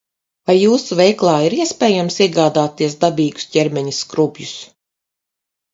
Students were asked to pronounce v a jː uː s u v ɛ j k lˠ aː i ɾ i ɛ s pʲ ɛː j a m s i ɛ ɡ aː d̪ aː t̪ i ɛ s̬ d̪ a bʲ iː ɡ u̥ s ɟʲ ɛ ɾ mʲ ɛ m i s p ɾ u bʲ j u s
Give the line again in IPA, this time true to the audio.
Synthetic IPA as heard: v a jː uː s u v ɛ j k lˠ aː i ɾ i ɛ s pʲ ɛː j a m s i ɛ ɡ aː d̪ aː t̪ i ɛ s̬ d̪ a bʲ iː ɡ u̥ s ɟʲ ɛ ɾ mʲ ɛ ɲ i s k ɾ u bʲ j u s